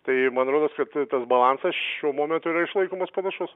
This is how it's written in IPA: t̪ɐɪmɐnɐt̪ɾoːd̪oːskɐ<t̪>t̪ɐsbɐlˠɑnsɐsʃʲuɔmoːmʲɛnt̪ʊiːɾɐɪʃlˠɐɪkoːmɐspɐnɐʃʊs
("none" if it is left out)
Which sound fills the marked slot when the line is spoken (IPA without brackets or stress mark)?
t̪